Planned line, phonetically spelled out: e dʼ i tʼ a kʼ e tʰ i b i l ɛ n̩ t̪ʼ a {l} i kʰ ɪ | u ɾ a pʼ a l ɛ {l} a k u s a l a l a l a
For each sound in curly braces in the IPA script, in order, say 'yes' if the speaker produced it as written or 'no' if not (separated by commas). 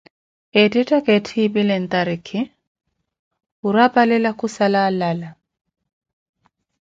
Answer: no, yes